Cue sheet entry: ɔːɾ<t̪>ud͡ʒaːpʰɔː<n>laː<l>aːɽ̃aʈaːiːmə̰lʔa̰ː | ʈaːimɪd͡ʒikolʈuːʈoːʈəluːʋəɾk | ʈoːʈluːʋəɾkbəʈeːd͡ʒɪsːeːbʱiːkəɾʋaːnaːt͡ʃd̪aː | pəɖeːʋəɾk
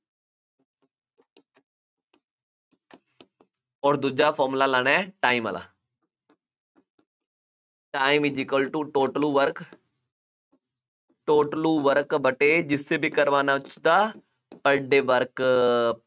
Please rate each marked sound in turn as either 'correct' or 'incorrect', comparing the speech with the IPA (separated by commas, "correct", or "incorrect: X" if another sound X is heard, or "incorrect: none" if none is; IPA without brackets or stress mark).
incorrect: d̪, incorrect: m, correct